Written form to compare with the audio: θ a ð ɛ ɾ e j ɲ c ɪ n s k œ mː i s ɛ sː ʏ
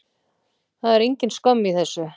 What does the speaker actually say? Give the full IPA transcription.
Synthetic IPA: θ a ð ɛ ɾ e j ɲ c ɪ n s k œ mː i θ ɛ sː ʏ